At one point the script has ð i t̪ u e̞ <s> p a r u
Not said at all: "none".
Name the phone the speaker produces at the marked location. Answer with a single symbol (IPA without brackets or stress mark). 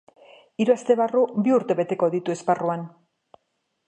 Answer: s